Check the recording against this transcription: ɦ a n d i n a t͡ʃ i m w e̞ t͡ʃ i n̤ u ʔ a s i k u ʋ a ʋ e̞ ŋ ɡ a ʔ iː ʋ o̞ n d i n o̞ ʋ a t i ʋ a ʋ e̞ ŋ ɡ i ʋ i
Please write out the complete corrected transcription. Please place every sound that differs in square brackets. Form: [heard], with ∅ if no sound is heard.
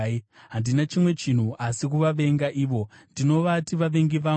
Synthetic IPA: ɦ a n d i n a t͡ʃ i m w e̞ t͡ʃ i n̤ u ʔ a s i k u ʋ a ʋ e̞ ŋ ɡ a ʔ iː ʋ o̞ n d i n o̞ ʋ a t i ʋ a ʋ e̞ ŋ ɡ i ʋ [a]